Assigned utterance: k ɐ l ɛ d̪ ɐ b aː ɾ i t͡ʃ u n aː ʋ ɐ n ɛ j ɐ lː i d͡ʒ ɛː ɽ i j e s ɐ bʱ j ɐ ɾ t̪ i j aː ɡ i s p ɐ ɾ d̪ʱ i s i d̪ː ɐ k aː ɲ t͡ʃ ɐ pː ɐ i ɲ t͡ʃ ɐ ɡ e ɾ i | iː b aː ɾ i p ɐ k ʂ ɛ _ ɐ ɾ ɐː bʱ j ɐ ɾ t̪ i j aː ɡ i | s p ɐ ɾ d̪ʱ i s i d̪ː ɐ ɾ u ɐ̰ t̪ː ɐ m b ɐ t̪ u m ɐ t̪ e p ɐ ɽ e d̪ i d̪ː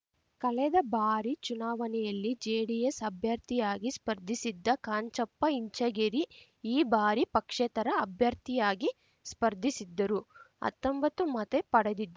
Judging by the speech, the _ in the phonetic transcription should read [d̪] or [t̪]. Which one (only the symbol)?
t̪